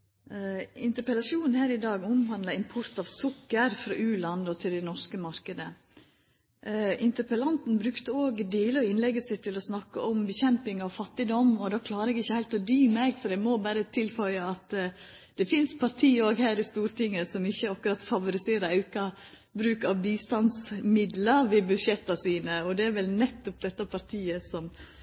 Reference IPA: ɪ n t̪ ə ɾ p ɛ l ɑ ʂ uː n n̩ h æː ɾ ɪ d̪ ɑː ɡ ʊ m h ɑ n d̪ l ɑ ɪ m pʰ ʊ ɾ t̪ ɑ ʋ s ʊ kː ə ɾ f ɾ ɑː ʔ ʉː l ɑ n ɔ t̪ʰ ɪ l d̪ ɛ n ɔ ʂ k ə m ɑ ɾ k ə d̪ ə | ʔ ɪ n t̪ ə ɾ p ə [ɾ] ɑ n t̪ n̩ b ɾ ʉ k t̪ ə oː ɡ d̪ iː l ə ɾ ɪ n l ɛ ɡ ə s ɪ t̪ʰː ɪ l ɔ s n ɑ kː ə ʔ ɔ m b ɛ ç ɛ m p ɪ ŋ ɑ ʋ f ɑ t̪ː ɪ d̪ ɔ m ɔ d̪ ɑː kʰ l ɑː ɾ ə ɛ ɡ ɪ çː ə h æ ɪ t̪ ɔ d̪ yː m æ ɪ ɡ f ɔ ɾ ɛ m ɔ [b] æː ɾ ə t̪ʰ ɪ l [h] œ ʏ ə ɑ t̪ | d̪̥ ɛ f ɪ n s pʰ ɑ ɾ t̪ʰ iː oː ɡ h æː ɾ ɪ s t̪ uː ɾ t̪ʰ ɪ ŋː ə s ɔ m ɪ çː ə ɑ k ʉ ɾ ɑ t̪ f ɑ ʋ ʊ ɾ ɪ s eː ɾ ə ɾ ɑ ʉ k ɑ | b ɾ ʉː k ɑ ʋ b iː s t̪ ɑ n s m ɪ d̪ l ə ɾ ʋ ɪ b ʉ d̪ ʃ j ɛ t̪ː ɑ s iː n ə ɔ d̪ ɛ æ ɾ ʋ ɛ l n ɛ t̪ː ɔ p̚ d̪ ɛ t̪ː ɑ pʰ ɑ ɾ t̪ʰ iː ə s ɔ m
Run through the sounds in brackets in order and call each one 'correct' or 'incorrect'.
incorrect, correct, incorrect

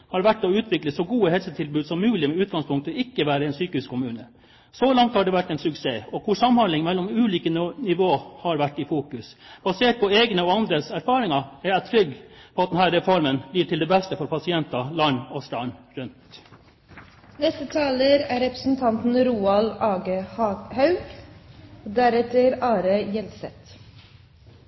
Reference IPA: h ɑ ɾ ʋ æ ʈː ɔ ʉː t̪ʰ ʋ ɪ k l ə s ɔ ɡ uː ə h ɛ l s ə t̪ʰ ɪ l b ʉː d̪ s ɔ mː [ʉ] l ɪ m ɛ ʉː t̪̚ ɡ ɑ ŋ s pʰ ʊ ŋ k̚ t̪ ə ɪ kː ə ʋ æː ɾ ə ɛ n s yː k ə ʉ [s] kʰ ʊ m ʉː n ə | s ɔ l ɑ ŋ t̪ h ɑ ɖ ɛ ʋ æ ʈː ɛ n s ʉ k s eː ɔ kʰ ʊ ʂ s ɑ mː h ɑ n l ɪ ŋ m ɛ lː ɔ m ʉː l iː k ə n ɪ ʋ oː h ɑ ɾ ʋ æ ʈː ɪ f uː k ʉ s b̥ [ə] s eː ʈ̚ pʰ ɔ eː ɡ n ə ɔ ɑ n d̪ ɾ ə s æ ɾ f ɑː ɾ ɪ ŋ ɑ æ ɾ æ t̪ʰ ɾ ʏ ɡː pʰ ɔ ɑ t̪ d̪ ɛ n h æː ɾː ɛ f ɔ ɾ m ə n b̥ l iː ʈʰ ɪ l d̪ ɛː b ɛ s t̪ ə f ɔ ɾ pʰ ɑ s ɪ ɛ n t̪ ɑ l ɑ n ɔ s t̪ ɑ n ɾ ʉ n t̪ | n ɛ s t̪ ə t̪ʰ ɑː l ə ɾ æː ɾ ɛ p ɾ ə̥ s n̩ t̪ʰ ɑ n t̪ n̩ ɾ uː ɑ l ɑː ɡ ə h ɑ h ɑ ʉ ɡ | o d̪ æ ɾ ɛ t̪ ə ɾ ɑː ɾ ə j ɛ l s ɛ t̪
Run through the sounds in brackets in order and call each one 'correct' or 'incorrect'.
incorrect, correct, incorrect

